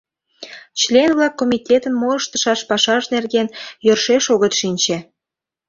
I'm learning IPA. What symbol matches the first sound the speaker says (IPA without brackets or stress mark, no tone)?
t͡ɕ